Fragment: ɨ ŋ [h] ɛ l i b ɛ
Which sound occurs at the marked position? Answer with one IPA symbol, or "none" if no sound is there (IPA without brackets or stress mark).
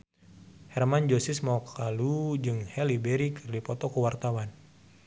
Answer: h